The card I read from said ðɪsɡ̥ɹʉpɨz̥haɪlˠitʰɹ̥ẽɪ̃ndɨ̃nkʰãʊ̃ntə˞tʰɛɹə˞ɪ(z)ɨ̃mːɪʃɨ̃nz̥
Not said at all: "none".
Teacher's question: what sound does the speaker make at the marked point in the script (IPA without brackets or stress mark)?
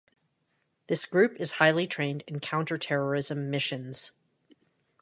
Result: z